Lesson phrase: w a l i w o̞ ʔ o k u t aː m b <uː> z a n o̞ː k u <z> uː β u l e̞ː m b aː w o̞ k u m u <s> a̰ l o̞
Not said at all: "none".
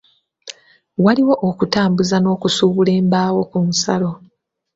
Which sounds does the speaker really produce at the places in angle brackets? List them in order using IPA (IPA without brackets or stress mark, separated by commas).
u, s, s